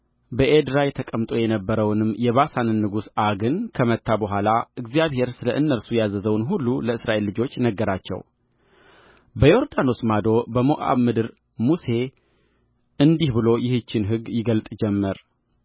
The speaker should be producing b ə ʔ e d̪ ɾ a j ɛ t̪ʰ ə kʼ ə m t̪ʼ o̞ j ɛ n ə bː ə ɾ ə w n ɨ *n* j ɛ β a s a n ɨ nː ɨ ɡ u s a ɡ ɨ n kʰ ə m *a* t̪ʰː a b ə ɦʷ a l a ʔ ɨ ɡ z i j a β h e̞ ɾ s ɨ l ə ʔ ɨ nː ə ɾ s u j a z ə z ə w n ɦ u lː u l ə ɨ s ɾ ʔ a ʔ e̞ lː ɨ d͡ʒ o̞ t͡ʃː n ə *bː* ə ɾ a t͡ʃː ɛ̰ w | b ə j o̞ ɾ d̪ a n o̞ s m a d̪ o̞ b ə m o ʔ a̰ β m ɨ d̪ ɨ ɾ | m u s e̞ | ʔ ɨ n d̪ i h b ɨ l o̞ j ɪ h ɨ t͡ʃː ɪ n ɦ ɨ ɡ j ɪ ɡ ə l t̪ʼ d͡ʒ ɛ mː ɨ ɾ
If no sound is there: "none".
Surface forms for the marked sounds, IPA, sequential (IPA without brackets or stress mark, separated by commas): m, ə, ɡː